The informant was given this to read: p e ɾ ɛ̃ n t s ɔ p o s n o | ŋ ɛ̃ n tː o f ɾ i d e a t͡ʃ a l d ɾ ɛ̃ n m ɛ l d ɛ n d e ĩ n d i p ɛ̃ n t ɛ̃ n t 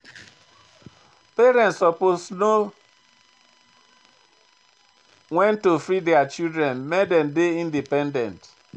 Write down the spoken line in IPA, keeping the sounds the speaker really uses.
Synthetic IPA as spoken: p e ɾ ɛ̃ n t s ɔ p o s n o | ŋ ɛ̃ n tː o f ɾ i d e a t͡ʃ i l d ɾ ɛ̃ n m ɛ d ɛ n d e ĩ n d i p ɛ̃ n d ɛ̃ n t